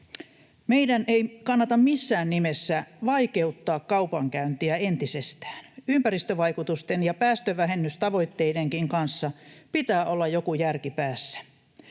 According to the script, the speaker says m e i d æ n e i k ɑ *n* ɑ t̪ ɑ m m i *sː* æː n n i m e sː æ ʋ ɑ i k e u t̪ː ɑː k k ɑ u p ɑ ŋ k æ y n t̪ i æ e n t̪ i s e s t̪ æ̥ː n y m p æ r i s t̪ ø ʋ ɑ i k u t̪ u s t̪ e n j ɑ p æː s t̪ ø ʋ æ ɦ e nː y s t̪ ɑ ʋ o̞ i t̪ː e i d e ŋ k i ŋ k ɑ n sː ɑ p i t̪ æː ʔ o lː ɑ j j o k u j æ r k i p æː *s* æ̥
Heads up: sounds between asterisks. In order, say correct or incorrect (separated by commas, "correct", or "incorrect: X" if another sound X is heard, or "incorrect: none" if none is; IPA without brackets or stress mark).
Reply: incorrect: nː, correct, incorrect: sː